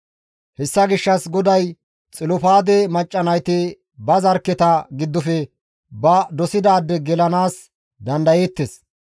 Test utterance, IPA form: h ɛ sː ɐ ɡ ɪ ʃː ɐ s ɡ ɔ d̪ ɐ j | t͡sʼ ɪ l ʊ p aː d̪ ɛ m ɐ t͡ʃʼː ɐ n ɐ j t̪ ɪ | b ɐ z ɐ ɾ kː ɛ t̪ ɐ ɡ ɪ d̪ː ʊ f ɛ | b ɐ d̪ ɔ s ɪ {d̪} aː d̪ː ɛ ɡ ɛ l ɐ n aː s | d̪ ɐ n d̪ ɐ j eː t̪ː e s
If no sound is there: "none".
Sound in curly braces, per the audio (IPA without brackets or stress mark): d̪